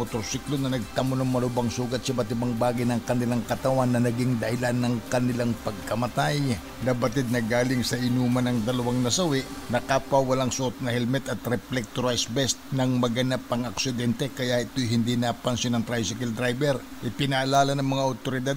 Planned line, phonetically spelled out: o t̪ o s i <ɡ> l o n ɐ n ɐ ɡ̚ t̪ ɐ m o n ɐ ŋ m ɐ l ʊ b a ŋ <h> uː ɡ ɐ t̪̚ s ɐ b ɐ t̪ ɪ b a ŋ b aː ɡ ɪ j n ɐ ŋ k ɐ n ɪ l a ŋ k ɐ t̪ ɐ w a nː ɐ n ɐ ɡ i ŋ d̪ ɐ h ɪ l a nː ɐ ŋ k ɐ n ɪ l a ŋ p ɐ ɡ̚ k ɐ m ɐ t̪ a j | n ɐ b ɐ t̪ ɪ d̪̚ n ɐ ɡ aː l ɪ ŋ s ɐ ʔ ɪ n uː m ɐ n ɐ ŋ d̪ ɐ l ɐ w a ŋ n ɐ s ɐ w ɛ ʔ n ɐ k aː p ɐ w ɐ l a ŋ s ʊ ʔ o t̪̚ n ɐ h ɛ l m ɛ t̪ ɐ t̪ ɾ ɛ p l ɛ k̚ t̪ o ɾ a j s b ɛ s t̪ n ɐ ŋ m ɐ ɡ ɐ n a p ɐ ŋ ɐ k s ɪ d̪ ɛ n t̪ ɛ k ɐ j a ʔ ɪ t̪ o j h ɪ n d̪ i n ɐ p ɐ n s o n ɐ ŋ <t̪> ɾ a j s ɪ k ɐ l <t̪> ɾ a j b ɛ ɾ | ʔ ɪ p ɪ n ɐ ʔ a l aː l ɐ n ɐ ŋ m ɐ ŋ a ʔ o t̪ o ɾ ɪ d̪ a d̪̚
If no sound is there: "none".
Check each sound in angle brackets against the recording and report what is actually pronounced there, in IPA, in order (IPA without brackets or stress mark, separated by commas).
k, s, t̪, d̪